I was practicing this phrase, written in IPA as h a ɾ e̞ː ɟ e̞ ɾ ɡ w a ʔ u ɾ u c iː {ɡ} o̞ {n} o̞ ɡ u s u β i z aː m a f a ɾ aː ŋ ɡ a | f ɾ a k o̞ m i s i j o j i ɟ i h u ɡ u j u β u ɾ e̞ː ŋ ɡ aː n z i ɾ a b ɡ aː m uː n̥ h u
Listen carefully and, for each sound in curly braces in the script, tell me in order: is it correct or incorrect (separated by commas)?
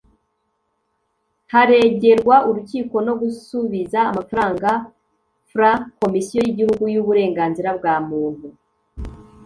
incorrect, correct